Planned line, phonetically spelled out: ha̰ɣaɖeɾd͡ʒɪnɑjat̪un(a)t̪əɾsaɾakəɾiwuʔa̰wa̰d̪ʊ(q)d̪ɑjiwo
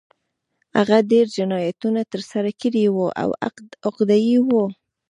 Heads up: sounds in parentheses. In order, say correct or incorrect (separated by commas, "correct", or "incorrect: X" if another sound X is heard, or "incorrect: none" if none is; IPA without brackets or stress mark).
correct, correct